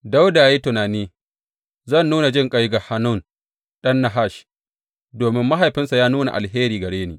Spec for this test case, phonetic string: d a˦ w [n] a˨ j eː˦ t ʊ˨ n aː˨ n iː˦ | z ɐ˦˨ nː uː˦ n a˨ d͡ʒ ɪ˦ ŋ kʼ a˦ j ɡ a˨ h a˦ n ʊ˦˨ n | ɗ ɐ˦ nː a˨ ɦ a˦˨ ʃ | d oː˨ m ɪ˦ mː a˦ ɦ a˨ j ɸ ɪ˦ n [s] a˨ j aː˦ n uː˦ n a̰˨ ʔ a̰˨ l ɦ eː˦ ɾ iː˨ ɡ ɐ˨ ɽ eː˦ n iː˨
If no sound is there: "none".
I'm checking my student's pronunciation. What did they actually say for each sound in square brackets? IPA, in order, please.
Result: d, s

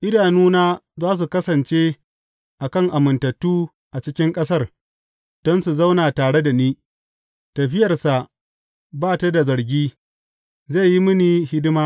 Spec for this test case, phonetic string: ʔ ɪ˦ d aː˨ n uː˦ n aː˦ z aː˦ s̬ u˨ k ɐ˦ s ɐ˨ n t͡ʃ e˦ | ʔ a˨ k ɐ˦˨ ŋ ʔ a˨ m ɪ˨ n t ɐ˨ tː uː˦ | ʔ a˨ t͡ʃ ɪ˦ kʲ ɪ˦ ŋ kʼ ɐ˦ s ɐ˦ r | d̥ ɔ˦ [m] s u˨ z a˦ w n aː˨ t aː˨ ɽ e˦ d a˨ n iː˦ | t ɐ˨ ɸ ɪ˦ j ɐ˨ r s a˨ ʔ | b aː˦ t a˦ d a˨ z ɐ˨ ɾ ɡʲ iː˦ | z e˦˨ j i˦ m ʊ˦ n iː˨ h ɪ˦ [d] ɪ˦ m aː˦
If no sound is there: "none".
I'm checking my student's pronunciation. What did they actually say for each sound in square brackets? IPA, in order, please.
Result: n, d

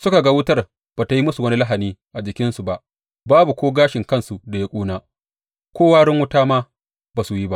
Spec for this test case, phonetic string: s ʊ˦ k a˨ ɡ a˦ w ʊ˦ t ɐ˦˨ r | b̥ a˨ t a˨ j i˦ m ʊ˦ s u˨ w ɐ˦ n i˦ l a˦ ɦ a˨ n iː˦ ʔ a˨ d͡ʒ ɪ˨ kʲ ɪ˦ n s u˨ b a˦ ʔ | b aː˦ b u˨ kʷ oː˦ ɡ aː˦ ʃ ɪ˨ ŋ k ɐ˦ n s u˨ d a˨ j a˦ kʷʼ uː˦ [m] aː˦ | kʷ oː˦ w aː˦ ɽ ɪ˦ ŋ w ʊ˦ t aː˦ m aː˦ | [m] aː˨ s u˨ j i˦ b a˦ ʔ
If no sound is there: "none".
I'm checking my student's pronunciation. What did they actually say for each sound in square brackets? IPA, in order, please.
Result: n, b

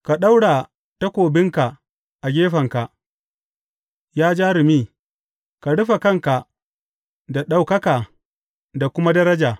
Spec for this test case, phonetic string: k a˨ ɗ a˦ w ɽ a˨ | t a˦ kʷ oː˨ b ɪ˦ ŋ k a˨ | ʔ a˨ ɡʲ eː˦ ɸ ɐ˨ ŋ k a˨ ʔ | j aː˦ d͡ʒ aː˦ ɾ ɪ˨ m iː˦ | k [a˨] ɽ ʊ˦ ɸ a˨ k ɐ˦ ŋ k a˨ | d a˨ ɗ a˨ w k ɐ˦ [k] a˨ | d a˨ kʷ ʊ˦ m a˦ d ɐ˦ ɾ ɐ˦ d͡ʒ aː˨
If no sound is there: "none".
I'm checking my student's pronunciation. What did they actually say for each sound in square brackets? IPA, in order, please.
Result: a˨, k

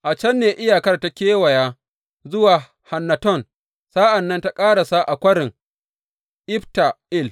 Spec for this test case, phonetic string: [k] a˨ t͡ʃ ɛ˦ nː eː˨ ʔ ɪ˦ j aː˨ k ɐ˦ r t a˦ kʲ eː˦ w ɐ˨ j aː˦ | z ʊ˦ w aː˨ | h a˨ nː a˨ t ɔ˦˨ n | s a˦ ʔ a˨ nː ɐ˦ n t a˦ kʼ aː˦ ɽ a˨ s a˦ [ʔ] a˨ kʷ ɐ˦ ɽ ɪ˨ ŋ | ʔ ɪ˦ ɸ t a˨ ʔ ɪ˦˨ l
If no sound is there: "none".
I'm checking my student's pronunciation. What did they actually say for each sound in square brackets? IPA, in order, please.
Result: ʔ, ʔ

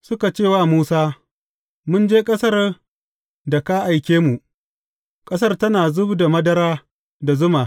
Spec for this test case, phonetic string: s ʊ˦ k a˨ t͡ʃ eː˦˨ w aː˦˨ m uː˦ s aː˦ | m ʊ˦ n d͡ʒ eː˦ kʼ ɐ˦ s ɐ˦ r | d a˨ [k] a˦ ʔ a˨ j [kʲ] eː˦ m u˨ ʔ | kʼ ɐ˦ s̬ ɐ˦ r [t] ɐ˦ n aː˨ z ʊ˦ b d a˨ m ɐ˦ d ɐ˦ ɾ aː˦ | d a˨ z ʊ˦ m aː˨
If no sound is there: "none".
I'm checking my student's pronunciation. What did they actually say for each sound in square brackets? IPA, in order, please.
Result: k, kʲ, t

